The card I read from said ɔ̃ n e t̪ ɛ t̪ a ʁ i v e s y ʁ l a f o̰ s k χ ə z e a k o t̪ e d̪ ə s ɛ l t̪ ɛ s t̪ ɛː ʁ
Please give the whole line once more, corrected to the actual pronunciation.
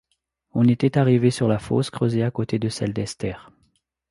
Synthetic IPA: ɔ̃ n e t̪ ɛ t̪ a ʁ i v e s y ʁ l a f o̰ s k χ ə z e a k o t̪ e d̪ ə s ɛ l d̪ ɛ s t̪ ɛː ʁ